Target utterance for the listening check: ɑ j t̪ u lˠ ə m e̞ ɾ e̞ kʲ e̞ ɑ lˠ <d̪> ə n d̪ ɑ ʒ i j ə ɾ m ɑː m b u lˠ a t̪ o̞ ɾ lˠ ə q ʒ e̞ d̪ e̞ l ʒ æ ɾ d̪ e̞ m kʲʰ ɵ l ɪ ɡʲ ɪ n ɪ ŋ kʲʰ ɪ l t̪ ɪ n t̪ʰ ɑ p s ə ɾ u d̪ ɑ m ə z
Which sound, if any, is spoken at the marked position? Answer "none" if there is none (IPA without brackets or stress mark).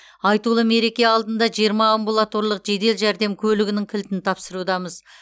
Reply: d̪